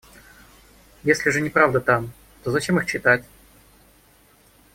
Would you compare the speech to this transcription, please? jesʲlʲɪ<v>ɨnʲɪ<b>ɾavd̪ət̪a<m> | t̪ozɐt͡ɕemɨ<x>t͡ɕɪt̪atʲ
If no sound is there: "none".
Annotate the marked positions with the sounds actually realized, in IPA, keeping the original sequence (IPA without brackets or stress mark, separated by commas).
ʐ, p, m, x